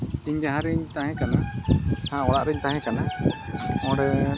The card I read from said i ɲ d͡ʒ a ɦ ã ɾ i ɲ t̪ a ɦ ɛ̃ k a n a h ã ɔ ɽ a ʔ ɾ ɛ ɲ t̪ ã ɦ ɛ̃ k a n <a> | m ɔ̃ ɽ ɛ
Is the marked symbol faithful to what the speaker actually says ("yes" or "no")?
yes